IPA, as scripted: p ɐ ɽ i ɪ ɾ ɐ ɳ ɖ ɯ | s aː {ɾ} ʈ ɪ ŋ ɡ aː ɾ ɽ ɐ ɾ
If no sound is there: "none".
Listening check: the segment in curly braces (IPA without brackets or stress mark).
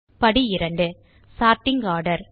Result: ɾ